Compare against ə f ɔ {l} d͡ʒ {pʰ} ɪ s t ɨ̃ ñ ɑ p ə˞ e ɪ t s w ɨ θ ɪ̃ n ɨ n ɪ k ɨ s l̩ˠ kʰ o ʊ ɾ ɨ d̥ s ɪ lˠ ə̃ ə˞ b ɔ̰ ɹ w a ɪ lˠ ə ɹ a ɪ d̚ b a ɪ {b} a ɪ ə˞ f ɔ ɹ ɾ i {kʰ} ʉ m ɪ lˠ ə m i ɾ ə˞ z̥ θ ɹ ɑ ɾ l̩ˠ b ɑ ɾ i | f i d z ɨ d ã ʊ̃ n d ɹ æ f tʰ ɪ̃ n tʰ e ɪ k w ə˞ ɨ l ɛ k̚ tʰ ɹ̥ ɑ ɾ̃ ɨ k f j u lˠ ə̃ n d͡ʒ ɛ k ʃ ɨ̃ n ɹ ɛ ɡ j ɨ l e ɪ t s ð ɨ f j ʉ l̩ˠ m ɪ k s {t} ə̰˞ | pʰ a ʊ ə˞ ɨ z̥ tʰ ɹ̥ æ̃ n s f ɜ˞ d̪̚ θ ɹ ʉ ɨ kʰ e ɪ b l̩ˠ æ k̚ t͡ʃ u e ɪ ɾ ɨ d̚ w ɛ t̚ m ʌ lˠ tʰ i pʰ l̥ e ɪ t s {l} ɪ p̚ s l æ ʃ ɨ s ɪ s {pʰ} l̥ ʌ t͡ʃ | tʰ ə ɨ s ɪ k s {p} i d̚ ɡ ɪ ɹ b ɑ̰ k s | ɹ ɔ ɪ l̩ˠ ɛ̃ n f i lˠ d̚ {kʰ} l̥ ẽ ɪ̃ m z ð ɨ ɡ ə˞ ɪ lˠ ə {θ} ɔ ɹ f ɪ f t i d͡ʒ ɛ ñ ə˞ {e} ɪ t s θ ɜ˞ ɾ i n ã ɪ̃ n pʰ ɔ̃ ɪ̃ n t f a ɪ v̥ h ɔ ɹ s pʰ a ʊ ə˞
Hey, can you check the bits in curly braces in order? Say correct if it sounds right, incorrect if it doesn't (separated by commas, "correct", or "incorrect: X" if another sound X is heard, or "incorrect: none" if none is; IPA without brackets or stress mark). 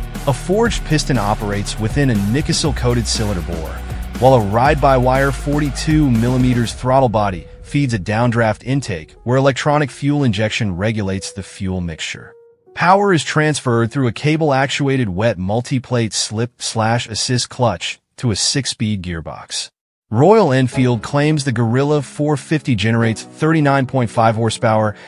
incorrect: ɹ, correct, incorrect: w, incorrect: tʰ, incorrect: t͡ʃ, correct, incorrect: kʰ, correct, correct, incorrect: f, correct